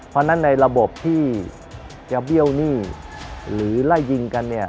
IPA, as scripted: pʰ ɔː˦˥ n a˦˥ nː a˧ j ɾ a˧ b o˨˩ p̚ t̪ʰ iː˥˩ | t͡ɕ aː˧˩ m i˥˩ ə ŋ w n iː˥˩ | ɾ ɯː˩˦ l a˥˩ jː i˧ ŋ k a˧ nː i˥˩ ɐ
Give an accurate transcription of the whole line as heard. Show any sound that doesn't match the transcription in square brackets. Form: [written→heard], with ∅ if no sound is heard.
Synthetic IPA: pʰ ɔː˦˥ n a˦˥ nː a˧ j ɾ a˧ b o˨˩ p̚ t̪ʰ iː˥˩ | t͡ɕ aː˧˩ [m→b] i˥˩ ə [ŋ→∅] w n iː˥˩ | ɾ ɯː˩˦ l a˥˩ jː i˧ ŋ k a˧ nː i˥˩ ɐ